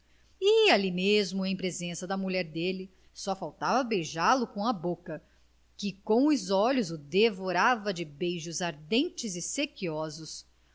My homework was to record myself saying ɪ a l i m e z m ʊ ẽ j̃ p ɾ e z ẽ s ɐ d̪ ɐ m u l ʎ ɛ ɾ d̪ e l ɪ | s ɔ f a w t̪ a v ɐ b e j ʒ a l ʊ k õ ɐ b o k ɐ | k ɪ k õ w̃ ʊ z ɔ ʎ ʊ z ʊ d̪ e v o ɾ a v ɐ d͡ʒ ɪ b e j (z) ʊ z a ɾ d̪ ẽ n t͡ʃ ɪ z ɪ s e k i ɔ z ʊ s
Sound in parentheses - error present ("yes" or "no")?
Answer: yes